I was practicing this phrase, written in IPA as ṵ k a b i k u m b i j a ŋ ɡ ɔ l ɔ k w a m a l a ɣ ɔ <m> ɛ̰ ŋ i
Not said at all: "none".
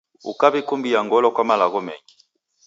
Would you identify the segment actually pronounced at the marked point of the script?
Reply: m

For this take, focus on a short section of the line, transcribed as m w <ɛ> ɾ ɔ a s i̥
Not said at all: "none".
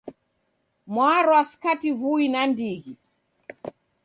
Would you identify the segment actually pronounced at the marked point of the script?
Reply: a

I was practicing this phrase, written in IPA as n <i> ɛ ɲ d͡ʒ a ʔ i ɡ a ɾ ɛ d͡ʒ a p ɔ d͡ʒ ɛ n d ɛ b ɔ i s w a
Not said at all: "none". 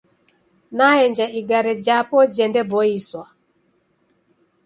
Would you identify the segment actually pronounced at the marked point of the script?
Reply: a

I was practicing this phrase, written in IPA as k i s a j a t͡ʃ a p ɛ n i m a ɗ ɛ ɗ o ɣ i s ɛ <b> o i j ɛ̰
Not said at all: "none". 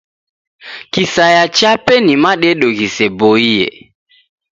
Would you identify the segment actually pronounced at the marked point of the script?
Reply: b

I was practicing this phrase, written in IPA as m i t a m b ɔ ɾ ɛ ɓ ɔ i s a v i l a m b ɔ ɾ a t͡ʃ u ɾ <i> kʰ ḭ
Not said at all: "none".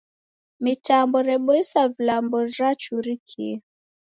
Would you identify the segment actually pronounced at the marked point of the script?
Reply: i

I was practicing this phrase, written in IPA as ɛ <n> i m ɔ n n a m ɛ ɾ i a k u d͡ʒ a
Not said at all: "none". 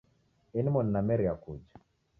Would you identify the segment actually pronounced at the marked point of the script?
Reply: n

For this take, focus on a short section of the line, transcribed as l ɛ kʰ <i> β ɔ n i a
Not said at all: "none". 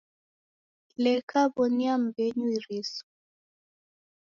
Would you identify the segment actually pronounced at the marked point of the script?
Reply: a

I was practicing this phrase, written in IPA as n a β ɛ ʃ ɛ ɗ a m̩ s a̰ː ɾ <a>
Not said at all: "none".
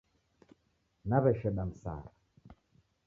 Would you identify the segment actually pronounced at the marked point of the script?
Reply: a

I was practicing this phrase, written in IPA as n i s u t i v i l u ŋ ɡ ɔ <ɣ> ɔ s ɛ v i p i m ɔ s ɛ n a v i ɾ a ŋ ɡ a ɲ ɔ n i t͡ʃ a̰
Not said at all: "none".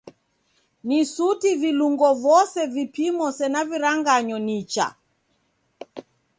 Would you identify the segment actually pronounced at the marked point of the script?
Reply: v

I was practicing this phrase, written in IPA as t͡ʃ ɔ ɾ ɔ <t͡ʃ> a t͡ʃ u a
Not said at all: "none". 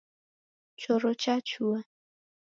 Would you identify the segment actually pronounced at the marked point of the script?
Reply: t͡ʃ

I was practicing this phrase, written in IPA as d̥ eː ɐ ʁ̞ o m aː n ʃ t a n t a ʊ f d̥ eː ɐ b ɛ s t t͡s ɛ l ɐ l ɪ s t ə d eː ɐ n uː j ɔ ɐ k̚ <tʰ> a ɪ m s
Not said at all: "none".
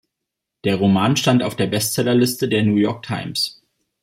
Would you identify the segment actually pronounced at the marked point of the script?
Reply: tʰ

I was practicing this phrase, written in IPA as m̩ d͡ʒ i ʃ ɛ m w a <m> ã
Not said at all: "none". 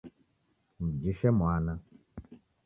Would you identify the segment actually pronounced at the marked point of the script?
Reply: n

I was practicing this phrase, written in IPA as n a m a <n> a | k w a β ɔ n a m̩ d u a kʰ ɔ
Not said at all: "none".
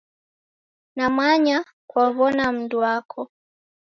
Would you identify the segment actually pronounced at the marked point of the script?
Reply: ɲ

